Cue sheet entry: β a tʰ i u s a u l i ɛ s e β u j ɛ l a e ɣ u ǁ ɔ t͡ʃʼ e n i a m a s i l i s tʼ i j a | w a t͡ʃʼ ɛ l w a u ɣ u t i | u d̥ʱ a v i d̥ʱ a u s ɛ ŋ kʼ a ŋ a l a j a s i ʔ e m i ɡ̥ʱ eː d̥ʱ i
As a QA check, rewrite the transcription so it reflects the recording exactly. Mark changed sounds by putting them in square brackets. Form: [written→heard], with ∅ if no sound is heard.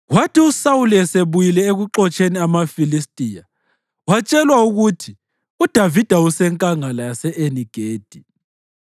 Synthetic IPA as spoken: [β→w] a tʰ i u s a u l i ɛ s e β u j [ɛ→i] l [a→ɛ] e ɣ u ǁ ɔ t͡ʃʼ e n i a m a [s→f] i l i s tʼ i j a | w a t͡ʃʼ ɛ l w a u ɣ u [t→tʰ] i | u d̥ʱ a v i d̥ʱ a u s ɛ ŋ kʼ a ŋ a l a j a s [i→ɛ] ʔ e [m→n] i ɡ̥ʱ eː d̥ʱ i